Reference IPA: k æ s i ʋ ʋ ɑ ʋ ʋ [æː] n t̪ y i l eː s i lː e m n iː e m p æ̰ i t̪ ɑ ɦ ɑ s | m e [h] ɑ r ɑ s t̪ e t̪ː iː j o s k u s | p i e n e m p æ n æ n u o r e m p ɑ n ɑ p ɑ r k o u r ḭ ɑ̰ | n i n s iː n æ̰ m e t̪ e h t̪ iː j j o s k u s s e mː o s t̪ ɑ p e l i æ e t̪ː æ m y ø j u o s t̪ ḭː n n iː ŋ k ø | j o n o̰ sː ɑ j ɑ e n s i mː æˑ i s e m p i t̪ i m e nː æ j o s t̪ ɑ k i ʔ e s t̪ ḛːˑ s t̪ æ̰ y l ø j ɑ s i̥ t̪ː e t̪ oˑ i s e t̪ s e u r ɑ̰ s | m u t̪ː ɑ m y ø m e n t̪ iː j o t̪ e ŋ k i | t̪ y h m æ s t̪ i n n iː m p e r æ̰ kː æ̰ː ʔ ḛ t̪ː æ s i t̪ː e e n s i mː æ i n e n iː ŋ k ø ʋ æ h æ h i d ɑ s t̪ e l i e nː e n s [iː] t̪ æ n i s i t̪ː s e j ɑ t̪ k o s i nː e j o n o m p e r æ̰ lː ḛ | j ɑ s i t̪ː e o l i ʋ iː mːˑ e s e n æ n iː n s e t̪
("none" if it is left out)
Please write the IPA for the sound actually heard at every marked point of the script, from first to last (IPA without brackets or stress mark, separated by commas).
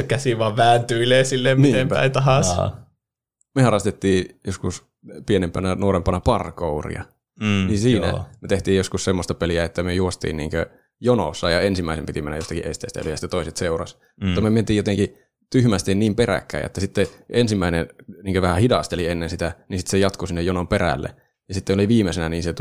æː, h, i